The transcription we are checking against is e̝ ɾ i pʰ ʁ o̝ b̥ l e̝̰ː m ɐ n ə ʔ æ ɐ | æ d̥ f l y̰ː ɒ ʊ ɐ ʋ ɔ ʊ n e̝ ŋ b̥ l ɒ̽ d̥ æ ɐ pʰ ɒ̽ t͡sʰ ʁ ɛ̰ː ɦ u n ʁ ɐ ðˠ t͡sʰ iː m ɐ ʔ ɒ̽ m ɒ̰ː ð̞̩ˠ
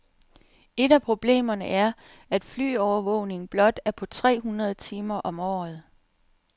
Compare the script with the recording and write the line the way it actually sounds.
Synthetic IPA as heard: e̝ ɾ æ pʰ ʁ o̝ b̥ l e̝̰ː m ɐ n ə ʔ æ ɐ | æ d̥ f l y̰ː ɒ ʊ ɐ ʋ ɔ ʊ n e̝ ŋ b̥ l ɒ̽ d̥ æ ɐ pʰ ɒ̽ t͡sʰ ʁ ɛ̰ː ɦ u n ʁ ɐ ðˠ t͡sʰ iː m ɐ ʔ ɒ̽ m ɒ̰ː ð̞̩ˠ